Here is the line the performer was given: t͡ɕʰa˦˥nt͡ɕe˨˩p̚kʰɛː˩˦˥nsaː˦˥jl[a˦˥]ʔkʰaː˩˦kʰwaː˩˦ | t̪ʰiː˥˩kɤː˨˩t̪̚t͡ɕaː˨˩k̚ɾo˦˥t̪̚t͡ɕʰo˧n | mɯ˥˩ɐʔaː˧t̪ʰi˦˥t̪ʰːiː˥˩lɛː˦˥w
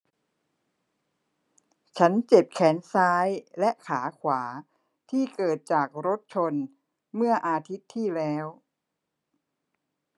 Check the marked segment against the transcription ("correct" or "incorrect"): incorrect